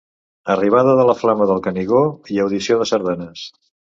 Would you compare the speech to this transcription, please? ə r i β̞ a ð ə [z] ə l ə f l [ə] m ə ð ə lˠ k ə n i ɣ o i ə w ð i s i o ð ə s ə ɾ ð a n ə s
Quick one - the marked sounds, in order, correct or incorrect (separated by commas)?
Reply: incorrect, incorrect